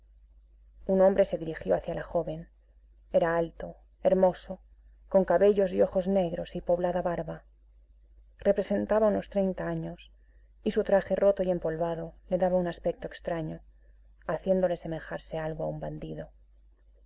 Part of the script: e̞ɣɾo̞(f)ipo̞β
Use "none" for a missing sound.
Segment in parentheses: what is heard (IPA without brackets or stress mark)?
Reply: s